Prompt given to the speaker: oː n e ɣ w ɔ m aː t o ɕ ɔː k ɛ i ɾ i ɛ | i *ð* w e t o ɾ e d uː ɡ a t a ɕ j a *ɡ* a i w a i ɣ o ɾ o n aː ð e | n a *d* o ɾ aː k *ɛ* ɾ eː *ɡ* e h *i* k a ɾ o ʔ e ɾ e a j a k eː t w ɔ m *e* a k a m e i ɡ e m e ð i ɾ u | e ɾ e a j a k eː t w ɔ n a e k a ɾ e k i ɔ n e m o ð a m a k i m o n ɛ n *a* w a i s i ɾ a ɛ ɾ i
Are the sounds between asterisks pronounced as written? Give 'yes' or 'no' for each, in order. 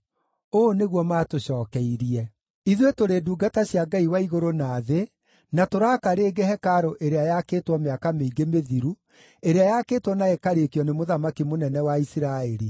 yes, yes, no, no, yes, no, yes, no

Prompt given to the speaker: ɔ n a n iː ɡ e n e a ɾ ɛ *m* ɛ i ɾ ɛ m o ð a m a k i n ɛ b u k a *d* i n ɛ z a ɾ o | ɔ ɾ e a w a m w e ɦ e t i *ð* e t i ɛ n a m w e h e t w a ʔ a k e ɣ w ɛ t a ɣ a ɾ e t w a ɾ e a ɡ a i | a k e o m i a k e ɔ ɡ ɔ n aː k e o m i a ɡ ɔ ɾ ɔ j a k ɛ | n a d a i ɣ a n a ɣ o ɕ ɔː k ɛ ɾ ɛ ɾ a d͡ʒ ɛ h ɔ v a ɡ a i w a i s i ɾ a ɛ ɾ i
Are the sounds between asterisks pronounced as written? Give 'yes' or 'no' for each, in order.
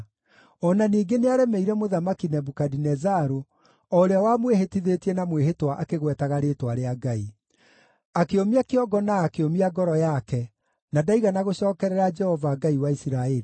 yes, yes, yes

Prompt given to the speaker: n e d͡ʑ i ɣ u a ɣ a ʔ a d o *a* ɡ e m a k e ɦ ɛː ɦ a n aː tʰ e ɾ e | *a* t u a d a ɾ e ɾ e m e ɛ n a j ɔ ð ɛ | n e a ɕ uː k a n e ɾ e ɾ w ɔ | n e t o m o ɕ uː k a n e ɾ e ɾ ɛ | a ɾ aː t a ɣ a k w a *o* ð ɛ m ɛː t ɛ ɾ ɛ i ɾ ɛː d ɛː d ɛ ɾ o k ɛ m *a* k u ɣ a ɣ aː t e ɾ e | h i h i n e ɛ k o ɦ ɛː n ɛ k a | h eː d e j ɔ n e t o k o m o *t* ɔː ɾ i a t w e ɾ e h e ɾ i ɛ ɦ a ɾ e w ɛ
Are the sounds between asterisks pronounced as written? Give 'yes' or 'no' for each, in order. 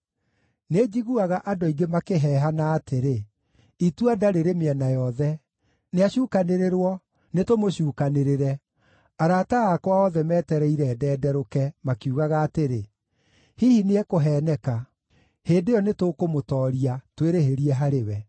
no, no, no, yes, yes

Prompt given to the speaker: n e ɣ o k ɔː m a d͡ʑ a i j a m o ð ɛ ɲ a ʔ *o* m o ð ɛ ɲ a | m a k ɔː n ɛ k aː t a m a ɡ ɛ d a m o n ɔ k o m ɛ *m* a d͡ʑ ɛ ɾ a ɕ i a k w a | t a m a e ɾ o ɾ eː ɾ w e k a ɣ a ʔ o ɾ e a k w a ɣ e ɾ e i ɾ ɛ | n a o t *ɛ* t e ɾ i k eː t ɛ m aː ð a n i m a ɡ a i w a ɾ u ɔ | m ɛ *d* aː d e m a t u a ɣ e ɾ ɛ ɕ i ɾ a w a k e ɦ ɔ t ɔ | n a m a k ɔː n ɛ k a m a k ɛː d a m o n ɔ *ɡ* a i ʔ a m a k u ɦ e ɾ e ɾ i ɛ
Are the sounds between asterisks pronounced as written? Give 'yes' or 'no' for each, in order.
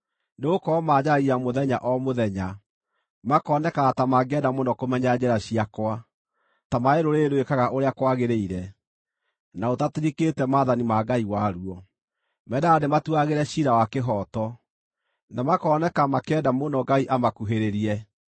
no, no, no, yes, yes

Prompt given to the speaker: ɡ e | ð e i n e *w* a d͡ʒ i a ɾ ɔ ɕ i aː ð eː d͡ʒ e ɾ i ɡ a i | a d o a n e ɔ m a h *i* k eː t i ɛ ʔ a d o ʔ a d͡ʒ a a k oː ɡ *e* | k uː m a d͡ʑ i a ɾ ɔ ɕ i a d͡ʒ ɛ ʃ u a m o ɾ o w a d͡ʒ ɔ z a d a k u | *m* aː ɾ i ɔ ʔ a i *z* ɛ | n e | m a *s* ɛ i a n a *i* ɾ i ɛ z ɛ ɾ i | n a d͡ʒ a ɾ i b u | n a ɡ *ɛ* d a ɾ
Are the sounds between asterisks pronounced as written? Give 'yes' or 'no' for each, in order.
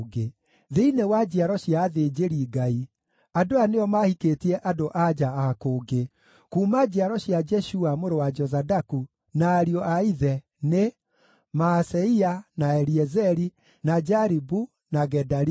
yes, yes, yes, no, no, yes, no, yes

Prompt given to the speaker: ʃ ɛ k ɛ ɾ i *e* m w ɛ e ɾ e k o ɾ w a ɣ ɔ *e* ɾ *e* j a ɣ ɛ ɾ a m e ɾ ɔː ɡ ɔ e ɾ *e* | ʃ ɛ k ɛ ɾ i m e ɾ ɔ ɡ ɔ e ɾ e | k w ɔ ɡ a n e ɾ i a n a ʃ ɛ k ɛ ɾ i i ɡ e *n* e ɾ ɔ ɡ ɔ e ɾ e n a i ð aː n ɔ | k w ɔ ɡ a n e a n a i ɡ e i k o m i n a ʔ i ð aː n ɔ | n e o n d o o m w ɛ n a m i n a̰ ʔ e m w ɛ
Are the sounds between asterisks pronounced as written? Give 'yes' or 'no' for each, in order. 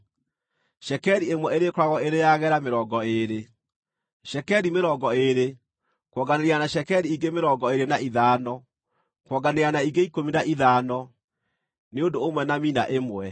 yes, yes, yes, yes, no

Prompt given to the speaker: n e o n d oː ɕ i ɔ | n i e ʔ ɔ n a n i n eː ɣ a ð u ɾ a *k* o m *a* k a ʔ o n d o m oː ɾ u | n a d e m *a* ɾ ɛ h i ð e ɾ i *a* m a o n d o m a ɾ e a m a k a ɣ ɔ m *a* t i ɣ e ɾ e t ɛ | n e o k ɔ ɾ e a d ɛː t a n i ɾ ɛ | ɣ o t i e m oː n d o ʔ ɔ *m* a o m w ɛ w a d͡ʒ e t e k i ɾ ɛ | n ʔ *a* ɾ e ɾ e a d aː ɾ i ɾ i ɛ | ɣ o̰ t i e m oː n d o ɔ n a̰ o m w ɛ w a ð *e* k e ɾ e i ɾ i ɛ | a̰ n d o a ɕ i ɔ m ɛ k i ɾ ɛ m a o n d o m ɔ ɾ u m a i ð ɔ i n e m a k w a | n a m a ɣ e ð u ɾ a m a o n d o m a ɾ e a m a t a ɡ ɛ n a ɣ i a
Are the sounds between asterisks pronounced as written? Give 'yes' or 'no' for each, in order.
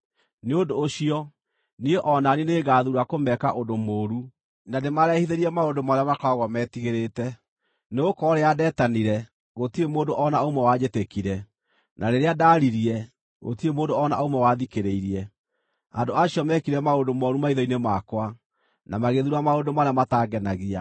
yes, no, yes, no, no, no, yes, no

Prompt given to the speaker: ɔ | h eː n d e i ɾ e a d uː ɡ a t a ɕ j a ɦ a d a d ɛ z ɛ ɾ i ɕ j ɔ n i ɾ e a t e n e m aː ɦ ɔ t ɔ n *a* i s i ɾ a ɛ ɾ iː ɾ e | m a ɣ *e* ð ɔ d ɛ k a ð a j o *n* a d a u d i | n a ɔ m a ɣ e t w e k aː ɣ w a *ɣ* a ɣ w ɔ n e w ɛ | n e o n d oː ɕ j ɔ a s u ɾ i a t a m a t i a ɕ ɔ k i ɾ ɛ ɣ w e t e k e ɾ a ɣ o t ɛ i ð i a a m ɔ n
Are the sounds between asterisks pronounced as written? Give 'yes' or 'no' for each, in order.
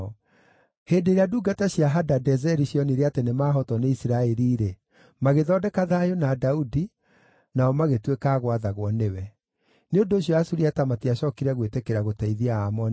no, yes, yes, no

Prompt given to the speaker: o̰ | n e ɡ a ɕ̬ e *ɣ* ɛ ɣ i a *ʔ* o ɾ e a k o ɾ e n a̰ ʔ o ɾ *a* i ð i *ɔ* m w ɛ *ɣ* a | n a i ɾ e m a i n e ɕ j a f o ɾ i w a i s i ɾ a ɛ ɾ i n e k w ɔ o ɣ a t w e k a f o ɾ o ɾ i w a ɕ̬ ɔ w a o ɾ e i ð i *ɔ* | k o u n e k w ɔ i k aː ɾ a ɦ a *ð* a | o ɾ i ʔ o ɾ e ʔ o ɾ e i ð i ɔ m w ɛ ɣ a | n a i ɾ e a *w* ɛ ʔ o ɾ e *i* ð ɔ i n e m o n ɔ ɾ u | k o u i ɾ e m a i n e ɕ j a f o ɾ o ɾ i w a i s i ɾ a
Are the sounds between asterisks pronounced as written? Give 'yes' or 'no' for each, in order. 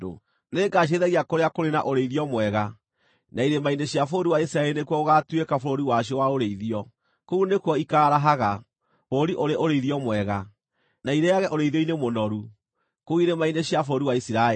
no, no, no, yes, yes, yes, no, no, yes

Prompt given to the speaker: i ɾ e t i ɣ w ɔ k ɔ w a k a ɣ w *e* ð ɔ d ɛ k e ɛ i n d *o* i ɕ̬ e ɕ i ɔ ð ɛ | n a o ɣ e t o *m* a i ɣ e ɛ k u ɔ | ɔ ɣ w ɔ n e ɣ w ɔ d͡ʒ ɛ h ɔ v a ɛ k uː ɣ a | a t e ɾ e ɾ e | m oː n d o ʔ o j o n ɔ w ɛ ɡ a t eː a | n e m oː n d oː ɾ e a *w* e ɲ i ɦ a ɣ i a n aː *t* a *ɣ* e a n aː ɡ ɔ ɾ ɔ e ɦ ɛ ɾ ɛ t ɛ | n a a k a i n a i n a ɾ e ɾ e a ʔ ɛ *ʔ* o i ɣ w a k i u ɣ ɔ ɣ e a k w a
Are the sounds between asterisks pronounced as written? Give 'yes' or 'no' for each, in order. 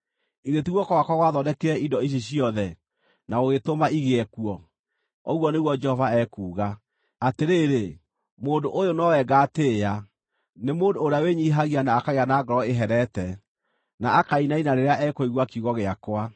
no, no, yes, yes, no, yes, no

